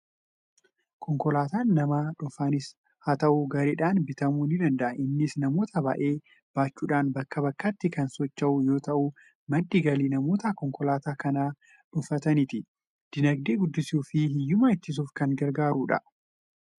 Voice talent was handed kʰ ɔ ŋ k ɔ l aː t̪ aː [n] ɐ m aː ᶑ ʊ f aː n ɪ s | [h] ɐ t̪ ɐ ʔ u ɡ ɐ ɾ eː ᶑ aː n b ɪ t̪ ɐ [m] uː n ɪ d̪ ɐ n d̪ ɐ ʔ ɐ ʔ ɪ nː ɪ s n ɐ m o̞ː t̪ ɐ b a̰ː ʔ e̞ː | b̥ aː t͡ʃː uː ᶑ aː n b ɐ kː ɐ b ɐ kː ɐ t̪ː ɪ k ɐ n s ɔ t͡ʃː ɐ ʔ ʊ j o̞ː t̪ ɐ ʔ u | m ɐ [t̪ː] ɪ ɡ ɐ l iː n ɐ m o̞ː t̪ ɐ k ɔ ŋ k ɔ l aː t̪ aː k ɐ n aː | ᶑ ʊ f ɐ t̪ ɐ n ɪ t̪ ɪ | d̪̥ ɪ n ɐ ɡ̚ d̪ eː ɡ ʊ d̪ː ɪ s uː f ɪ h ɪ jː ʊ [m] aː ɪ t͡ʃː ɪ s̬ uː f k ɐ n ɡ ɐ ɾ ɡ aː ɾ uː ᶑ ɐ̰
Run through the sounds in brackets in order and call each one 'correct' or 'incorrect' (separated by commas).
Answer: incorrect, correct, correct, incorrect, correct